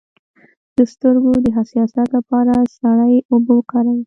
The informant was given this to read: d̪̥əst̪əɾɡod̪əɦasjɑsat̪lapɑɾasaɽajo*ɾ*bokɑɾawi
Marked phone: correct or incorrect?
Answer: incorrect